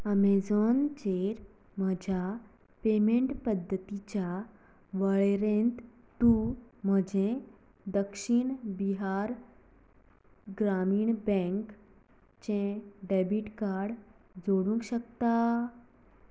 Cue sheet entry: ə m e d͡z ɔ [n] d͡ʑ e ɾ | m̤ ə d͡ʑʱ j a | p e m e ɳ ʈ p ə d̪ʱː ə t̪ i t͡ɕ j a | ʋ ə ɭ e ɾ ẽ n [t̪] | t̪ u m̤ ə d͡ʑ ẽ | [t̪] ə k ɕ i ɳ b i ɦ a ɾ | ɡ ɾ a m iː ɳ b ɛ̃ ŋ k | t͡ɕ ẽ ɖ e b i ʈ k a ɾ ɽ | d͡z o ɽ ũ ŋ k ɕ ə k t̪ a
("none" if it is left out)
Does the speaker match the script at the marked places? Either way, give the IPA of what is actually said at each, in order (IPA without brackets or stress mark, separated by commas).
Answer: n, t̪, d̪